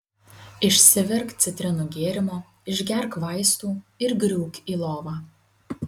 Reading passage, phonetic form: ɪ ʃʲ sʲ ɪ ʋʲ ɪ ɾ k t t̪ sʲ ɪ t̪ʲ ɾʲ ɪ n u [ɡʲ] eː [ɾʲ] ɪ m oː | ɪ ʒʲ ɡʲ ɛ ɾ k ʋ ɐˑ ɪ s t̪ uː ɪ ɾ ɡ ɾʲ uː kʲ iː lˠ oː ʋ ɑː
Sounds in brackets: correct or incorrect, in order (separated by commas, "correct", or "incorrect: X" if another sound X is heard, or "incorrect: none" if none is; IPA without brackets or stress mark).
correct, correct